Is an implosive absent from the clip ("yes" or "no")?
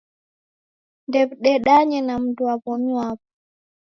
no